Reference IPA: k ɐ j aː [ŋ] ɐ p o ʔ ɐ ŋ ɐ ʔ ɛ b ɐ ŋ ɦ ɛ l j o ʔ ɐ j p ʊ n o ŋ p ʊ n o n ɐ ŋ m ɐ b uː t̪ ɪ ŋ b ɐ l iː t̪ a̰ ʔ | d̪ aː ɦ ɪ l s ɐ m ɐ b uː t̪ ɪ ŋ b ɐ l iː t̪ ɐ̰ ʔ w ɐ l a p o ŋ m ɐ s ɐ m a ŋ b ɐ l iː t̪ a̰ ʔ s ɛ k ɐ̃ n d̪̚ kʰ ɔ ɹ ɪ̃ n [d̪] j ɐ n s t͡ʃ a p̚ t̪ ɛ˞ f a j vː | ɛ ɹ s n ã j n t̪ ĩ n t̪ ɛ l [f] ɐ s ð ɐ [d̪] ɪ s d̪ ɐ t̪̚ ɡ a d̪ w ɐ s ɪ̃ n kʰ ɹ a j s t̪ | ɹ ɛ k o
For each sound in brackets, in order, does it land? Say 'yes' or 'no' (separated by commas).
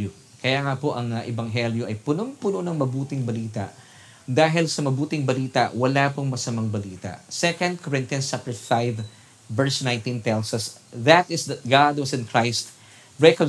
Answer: yes, no, no, no